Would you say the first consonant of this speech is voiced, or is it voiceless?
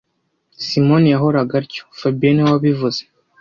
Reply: voiceless